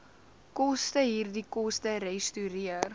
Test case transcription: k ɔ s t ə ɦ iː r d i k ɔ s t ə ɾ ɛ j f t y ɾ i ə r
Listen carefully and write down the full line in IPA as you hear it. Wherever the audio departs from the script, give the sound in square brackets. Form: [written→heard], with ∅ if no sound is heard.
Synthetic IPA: k ɔ s t ə ɦ iː r d i k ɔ s t ə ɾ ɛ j [f→s] t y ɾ i ə r